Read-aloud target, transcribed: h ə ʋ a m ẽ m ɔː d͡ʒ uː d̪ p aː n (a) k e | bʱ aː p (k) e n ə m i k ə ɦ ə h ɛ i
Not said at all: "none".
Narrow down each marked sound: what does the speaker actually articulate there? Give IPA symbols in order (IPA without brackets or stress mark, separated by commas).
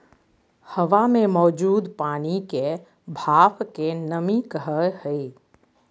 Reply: i, k